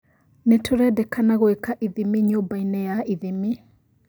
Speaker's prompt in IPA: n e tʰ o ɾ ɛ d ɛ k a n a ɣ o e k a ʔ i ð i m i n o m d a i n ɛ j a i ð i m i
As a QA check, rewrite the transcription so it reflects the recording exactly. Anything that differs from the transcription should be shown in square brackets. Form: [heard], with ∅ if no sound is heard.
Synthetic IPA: n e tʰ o ɾ ɛ d ɛ k a n a ɣ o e k a ʔ i ð i m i [ɲ] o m [b] a i n ɛ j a i ð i m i